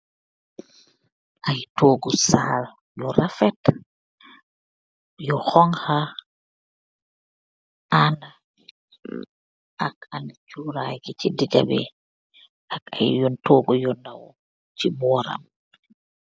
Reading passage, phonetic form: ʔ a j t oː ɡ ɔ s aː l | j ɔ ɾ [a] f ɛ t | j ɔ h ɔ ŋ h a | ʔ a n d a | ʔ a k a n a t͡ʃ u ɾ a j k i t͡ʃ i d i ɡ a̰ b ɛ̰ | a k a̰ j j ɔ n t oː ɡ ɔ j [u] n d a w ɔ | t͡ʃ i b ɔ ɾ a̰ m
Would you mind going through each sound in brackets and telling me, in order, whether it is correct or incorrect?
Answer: correct, incorrect: ɔ

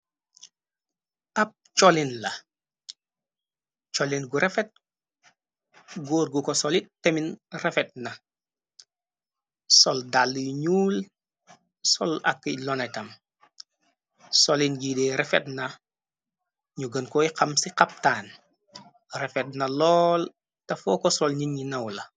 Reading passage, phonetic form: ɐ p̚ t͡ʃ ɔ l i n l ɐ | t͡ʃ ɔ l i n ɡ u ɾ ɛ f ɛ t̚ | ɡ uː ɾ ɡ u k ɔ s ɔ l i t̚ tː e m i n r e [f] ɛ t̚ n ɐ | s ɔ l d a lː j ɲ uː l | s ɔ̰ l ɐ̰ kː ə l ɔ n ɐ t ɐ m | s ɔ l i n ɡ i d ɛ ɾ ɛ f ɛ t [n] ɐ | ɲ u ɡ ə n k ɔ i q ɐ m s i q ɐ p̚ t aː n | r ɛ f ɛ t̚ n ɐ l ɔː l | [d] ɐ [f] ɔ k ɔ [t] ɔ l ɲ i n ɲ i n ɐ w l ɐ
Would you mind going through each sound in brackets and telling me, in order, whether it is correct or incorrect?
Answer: correct, correct, incorrect: t, correct, incorrect: s

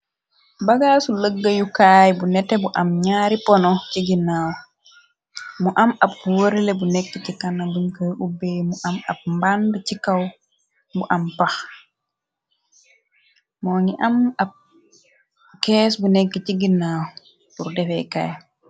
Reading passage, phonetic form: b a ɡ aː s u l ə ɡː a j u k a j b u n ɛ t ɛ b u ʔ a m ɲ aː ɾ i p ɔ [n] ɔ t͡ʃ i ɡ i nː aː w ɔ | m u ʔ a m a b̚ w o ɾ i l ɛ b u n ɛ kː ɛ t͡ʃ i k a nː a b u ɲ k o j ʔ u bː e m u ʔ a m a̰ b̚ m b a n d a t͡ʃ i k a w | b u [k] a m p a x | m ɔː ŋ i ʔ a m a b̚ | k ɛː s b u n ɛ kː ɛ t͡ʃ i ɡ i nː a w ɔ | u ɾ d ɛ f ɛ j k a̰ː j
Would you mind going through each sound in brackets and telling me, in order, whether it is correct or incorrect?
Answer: correct, incorrect: ʔ

